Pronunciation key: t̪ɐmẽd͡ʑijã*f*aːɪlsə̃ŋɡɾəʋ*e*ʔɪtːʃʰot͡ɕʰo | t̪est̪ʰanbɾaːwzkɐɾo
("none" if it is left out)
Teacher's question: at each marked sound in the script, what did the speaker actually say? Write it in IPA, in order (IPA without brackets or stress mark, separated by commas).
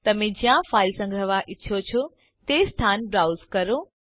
f, a